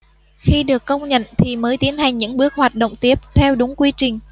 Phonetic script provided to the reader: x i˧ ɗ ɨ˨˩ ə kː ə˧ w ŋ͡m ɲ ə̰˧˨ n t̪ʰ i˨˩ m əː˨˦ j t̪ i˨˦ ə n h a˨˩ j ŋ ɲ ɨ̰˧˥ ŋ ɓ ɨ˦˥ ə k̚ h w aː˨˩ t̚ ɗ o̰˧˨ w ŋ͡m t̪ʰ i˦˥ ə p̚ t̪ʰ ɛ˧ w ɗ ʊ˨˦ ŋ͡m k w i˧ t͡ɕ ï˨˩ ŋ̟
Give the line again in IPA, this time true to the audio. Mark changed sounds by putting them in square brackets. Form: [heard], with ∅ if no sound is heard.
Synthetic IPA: x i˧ ɗ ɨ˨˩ ə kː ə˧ w ŋ͡m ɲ ə̰˧˨ n t̪ʰ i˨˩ m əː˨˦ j t̪ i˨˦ ə n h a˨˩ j ŋ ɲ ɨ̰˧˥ ŋ ɓ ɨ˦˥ ə k̚ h w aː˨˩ t̚ ɗ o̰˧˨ w ŋ͡m [t̪] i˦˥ ə p̚ t̪ʰ ɛ˧ w ɗ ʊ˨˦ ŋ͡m k w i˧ t͡ɕ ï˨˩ ŋ̟